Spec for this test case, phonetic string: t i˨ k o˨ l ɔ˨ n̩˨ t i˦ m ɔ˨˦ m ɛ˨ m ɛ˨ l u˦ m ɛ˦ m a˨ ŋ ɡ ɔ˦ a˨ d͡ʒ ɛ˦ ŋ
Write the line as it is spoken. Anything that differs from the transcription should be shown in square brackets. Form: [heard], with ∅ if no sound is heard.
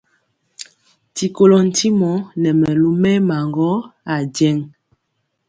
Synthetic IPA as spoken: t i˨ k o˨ l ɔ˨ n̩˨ t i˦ m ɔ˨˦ [n] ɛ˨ m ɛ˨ l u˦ m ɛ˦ m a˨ ŋ ɡ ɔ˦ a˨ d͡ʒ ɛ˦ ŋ

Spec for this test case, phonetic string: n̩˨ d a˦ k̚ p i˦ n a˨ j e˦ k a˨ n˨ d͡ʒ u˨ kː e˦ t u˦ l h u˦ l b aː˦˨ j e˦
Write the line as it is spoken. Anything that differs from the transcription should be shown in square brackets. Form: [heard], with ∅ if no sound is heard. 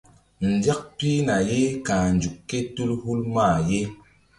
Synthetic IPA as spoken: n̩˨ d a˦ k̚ p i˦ n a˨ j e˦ k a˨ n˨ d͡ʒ u˨ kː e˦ t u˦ l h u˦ l [m] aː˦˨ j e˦

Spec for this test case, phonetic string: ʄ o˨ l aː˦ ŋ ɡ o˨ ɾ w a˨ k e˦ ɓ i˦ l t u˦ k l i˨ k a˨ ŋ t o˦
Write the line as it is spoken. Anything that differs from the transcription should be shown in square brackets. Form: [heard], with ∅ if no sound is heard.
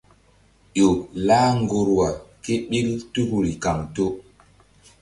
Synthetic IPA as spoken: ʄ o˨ l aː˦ ŋ ɡ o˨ ɾ w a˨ k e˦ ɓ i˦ l t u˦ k [ɾ] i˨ k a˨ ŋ t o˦

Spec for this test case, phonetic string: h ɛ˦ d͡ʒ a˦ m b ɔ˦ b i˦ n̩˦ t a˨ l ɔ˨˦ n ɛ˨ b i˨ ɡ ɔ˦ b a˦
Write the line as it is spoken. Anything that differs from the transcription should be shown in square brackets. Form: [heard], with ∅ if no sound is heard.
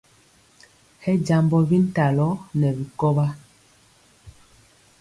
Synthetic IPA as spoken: h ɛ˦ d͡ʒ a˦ m b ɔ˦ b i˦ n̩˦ t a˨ l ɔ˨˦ n ɛ˨ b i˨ [k] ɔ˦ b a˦

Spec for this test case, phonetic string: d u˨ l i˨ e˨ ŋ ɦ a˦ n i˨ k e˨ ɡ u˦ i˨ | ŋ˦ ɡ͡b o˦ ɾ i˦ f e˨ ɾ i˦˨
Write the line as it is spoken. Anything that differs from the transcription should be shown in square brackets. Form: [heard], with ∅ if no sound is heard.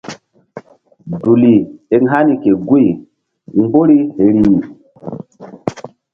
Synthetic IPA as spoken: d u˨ l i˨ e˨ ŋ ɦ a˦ n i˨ k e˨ ɡ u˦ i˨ | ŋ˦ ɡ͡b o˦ ɾ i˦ [h] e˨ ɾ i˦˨

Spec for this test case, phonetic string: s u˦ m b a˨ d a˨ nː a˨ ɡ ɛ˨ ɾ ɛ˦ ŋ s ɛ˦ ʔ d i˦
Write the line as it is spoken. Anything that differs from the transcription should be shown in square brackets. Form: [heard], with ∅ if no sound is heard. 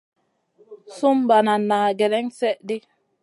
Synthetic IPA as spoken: s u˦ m b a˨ [n] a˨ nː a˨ ɡ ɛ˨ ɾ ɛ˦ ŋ s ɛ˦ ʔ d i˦

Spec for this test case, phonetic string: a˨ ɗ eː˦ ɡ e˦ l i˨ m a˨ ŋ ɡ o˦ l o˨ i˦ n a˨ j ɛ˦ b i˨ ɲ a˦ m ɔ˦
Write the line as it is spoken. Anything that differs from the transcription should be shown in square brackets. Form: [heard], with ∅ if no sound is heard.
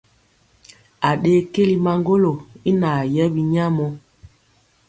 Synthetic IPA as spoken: a˨ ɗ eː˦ [k] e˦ l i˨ m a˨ ŋ ɡ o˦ l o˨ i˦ n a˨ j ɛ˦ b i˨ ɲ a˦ m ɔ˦

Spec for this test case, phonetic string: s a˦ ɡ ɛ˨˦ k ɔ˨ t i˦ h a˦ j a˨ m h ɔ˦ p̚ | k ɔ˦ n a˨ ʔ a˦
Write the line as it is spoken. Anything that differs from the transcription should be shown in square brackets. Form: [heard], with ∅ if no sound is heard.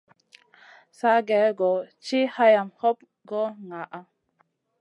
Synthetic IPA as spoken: s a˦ ɡ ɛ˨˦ [ɡ] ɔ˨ [t͡ʃ] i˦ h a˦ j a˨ m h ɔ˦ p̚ | [ɡ] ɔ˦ [ŋ] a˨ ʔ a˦

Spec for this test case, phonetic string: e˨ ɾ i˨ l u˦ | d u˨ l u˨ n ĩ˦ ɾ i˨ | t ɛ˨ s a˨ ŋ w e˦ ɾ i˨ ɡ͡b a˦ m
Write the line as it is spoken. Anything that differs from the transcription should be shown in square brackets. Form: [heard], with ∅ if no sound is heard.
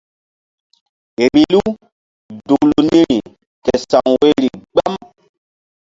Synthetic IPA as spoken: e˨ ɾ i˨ l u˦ | d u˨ l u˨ n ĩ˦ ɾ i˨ | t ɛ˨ s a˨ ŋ w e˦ ɾ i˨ ɡ͡b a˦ m

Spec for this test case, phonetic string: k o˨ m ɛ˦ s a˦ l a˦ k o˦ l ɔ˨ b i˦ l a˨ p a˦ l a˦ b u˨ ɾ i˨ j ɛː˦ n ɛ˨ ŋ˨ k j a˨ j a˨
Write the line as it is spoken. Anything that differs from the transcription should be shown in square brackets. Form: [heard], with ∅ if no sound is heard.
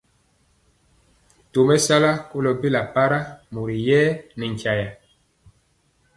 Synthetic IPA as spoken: [t] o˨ m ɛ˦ s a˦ l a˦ k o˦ l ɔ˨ b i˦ l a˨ p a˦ [ɾ] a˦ [m] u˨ ɾ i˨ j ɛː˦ n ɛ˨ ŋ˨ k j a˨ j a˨

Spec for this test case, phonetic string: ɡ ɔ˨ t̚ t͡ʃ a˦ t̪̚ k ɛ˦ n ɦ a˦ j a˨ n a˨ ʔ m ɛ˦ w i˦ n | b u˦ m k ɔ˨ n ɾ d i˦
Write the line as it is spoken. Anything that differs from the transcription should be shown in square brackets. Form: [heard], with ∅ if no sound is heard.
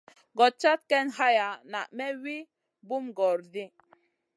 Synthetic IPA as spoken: ɡ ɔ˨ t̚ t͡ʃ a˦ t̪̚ k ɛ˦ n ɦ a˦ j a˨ n a˨ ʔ m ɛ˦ w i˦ [∅] | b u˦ m [ɡ] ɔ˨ [∅] ɾ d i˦

